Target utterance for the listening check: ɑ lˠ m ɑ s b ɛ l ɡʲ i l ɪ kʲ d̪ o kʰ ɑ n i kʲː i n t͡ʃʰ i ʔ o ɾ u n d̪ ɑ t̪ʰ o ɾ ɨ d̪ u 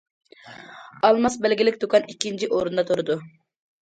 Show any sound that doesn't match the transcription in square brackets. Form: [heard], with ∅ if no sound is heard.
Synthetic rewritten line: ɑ lˠ m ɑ s b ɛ l ɡʲ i l ɪ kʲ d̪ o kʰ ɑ n i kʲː i n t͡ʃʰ i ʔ o ɾ u n d̪ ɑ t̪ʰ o ɾ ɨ d̪ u